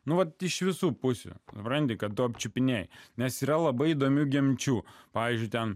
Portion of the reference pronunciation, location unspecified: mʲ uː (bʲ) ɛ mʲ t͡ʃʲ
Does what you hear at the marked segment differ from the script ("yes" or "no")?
yes